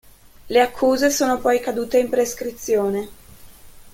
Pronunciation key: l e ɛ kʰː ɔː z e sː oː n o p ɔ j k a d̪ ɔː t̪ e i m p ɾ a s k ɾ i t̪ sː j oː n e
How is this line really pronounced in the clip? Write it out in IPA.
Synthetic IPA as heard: l e a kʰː uː z e s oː n o p ɔ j k a d̪ uː t̪ e i m p ɾ e s k ɾ i t̪ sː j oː n e